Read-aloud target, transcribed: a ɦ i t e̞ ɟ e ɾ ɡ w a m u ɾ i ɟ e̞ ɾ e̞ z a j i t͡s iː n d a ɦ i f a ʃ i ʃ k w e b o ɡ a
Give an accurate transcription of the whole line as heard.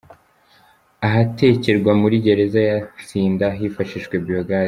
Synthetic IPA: a ɦ a t e̞ c e ɾ ɡ w a m u ɾ i ɟ e̞ ɾ e̞ z a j a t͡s iː n d a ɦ i f a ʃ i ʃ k w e b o ɡ a

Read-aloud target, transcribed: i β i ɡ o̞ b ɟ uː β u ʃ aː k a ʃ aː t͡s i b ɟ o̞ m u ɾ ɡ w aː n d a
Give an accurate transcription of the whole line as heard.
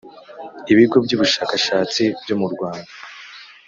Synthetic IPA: i β i ɡ o̞ b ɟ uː β u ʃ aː k a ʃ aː t͡s i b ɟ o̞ m u ɾ ɡ w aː n d a

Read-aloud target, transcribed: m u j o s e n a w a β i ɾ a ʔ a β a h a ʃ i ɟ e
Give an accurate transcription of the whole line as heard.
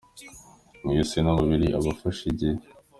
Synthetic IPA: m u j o s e n a β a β i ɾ i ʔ a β a f a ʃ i ɟ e

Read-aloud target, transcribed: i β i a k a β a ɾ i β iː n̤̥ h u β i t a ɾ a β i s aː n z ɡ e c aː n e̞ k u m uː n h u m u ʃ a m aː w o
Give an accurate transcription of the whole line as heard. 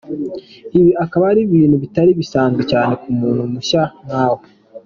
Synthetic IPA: i β i a k a β a ɾ i β iː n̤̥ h u β i t a ɾ i β i s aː n z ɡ e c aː n e̞ k u m uː n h u m u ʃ a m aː w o

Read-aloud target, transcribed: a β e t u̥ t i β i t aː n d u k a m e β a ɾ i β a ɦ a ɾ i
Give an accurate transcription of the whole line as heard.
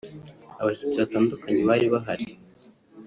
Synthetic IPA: a β a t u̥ t͡s i β a t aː n d u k a ɲ e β a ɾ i β a ɦ a ɾ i

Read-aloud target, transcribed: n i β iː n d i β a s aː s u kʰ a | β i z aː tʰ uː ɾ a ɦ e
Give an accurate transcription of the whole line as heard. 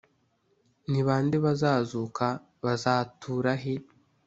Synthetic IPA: n i β aː n d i β a z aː z u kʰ a | β a z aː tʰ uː ɾ a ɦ e

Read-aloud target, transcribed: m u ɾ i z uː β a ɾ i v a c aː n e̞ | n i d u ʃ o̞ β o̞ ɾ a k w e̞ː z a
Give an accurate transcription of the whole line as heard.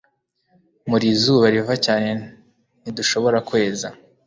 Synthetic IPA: m u ɾ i z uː β a ɾ i v a c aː n e̞ | n i d u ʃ o̞ β o̞ ɾ a k w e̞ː z a

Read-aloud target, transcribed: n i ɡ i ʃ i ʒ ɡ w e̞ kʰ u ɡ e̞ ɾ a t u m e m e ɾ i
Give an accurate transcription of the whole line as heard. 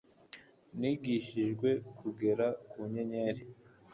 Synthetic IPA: n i ɡ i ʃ i ʒ ɡ w e̞ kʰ u ɡ e̞ ɾ a k u ɲ e ɲ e ɾ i

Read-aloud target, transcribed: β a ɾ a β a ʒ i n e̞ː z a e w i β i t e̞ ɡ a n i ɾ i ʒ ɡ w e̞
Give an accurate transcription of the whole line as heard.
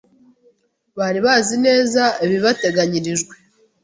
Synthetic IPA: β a ɾ i β a z i n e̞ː z a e β i β a t e̞ ɡ a ɲ i ɾ i ʒ ɡ w e̞

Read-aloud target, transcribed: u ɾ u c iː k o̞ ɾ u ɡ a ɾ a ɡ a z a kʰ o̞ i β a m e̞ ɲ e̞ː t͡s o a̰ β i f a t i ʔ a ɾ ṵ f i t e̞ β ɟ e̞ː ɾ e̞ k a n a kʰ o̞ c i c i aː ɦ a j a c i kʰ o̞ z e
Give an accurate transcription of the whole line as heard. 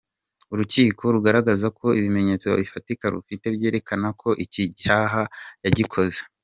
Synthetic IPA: u ɾ u c iː k o̞ ɾ u ɡ a ɾ a ɡ a z a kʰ o̞ i β i m e̞ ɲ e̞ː t͡s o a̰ β i f a t i k a ɾ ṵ f i t e̞ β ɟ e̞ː ɾ e̞ k a n a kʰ o̞ ʔ i c i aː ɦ a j a ɟ i kʰ o̞ z e

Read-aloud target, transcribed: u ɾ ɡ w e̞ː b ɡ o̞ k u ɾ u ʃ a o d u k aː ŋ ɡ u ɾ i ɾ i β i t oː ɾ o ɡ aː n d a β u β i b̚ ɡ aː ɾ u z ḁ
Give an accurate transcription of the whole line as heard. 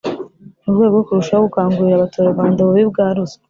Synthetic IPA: u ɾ ɡ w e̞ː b ɡ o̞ k u ɾ u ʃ a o ɡ u k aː ŋ ɡ u ɾ i ɾ a β a t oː ɾ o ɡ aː n d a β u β i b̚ ɡ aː ɾ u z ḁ

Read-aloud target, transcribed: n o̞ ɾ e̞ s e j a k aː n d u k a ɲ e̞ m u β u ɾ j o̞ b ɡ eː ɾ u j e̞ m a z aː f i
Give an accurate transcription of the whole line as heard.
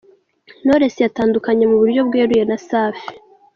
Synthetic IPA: n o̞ ɾ e̞ s e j a t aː n d u k a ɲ e̞ m u β u ɾ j o̞ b ɡ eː ɾ u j e̞ n a s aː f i

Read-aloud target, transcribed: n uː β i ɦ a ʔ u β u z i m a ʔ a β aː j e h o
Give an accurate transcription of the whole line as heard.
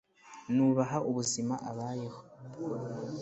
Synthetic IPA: n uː β a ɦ a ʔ u β u z i m a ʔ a β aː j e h o

